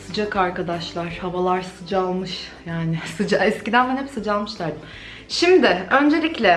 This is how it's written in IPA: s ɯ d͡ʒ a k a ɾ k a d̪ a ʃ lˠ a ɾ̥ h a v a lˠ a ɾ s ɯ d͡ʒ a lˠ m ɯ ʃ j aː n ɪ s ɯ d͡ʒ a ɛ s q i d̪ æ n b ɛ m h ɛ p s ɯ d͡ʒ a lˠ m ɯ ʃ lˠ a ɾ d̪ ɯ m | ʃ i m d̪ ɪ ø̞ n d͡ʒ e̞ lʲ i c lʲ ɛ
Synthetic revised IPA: s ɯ d͡ʒ a k a ɾ k a d̪ a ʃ lˠ a ɾ̥ h a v a lˠ a ɾ s ɯ d͡ʒ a lˠ m ɯ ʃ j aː n ɪ s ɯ d͡ʒ a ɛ s c i d̪ æ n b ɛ n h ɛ p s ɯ d͡ʒ a lˠ m ɯ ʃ lˠ a ɾ d̪ ɯ m | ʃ i m d̪ ɪ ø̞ n d͡ʒ e̞ lʲ i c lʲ ɛ

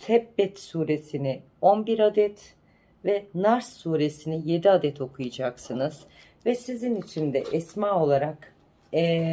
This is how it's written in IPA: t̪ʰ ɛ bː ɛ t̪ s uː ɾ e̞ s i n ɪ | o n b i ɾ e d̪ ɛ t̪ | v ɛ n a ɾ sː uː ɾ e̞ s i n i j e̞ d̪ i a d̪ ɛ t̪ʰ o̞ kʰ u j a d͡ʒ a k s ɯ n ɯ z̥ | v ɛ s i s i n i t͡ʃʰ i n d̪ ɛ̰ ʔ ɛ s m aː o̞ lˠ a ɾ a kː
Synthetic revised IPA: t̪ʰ ɛ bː ɛ t̪ s uː ɾ e̞ s i n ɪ | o n b i ɾ a d̪ ɛ t̪ | v ɛ n a ɾ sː uː ɾ e̞ s i n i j e̞ d̪ i a d̪ ɛ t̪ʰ o̞ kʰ u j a d͡ʒ a k s ɯ n ɯ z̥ | v ɛ s i z i n i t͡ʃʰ i n d̪ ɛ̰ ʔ ɛ s m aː o̞ lˠ a ɾ a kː

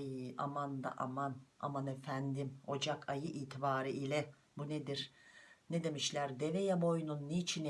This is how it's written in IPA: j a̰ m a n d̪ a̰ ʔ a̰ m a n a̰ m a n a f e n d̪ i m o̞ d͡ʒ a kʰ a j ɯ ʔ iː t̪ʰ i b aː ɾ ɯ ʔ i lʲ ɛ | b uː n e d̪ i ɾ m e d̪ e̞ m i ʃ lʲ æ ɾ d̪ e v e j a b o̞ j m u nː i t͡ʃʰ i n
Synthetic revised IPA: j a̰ m a n d̪ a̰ ʔ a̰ m a n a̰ m a n e f æ n d̪ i m o̞ d͡ʒ a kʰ a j ɯ ʔ iː t̪ʰ i b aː ɾ ɯ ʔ i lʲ ɛ | b u n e d̪ i ɾ n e d̪ e̞ m i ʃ lʲ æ ɾ d̪ e v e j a b o̞ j n u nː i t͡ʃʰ i n

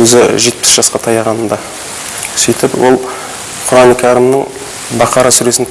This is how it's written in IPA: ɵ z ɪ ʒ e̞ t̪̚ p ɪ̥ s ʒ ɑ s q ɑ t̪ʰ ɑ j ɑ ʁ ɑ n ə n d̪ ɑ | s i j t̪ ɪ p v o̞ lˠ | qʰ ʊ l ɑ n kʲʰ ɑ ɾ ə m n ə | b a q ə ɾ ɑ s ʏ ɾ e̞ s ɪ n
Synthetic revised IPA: ɵ z ɪ ʒ e̞ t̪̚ p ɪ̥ s ʒ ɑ s q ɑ t̪ʰ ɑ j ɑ ʁ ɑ n ə n d̪ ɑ | s i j t̪ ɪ p w o̞ lˠ | qʰ ʊ ɾ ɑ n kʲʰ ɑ ɾ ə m n ə | b ɑ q ɑ ɾ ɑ s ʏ ɾ e̞ s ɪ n

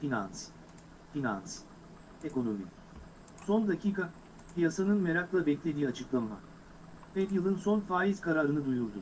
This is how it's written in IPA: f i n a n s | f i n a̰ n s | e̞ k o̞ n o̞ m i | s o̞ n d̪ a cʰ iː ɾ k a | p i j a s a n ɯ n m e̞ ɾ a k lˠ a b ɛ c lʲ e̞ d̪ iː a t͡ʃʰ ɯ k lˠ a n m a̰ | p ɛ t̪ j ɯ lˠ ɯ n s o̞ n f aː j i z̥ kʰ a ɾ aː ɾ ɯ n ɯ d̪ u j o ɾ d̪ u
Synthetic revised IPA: f i n a n s | f i n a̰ n s | e̞ k o̞ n o̞ m i | s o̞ n d̪ a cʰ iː k a | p i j a s a n ɯ n m e̞ ɾ a k lˠ a b ɛ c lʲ e̞ d̪ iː a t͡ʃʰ ɯ k lˠ a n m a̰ | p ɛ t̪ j ɯ lˠ ɯ n s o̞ n f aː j i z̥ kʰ a ɾ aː ɾ ɯ n ɯ d̪ u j u ɾ d̪ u

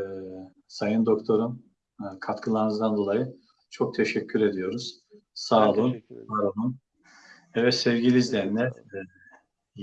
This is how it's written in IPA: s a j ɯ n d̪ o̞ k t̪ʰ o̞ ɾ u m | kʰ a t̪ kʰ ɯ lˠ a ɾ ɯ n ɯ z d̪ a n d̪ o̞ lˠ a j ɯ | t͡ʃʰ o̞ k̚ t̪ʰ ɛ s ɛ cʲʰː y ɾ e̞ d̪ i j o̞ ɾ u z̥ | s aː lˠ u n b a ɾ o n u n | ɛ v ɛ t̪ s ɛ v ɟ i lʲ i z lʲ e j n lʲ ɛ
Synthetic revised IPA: s a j ɯ n d̪ o̞ k t̪ʰ o̞ ɾ u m | kʰ a t̪ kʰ ɯ lˠ a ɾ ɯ n ɯ z d̪ a n d̪ o̞ lˠ a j ɯ | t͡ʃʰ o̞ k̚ t̪ʰ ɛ ʃ ɛ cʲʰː y ɾ e̞ d̪ i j o̞ ɾ u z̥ | s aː lˠ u n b a ɾ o n u n | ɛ v ɛ t̪ s ɛ v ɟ i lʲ i z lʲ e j n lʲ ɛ

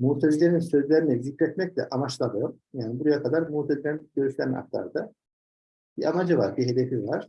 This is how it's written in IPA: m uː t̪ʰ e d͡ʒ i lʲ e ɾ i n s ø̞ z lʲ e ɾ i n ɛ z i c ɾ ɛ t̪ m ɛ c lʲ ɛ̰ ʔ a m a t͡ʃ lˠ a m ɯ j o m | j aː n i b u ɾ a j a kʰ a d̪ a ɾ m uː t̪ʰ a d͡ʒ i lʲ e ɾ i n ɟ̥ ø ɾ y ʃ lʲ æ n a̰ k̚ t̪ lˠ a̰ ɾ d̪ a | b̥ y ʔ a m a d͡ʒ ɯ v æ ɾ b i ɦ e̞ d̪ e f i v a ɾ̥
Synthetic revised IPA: m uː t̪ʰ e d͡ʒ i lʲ e ɾ i n s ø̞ z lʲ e ɾ i n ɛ z i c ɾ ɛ t̪ m ɛ c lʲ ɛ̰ ʔ a m a t͡ʃ lˠ a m ɯ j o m | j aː n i b u ɾ a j a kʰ a d̪ a ɾ m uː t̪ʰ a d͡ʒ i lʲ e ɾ i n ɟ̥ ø ɾ y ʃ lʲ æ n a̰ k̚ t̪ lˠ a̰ ɾ d̪ a | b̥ i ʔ a m a d͡ʒ ɯ v a ɾ b i ɦ e̞ d̪ e f i v a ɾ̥

